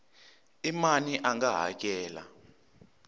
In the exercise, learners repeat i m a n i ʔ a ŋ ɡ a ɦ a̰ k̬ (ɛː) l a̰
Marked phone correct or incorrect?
correct